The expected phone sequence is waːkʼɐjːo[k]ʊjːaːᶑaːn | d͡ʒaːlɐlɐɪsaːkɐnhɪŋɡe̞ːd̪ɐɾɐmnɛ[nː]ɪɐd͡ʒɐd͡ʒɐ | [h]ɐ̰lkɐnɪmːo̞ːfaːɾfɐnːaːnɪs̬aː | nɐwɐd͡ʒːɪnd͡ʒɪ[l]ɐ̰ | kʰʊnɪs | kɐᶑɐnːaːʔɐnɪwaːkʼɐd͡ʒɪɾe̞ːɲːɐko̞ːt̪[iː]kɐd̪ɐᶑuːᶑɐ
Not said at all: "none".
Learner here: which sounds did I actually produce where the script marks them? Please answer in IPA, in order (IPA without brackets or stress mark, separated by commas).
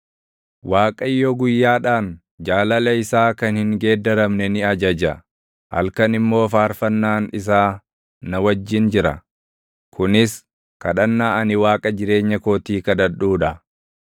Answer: ɡ, n, h, ɾ, iː